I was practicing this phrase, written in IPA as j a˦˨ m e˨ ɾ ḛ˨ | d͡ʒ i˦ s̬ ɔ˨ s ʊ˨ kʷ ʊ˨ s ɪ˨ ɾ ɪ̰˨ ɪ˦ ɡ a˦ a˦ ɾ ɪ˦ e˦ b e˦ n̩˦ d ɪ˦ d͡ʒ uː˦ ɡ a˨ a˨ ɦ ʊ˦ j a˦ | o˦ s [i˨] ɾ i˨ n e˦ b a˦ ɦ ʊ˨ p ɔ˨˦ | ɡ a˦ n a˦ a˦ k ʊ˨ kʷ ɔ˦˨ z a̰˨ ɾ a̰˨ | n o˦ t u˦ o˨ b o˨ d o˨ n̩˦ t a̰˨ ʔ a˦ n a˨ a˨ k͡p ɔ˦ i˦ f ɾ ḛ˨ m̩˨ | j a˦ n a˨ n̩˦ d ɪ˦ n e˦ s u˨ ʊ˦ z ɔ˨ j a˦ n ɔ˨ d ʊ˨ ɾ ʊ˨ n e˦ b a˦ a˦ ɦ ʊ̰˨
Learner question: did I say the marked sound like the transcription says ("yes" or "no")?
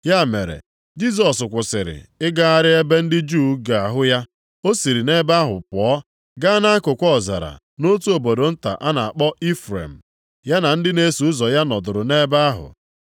yes